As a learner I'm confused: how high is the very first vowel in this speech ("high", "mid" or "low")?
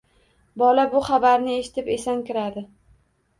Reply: low